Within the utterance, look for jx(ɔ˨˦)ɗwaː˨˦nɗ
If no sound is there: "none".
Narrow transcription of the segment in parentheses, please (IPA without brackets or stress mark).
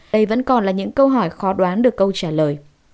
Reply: ɔ˨˦